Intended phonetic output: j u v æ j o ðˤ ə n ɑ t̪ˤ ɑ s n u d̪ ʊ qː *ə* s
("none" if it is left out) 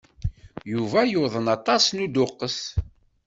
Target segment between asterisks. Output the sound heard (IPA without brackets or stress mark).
ə